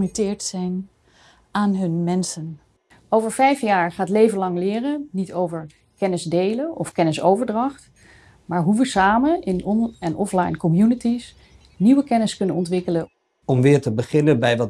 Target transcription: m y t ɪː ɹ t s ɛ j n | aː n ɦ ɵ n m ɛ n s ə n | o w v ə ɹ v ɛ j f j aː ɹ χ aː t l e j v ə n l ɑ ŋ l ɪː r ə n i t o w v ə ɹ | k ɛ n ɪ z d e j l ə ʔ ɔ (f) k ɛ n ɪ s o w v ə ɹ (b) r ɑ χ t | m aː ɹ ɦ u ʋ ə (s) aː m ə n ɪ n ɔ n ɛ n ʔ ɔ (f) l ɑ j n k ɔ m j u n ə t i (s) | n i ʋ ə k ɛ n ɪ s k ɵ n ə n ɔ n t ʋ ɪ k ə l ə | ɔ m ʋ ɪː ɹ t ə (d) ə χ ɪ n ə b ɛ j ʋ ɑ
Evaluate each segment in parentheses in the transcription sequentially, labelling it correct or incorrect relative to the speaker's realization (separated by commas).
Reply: correct, incorrect, correct, correct, correct, incorrect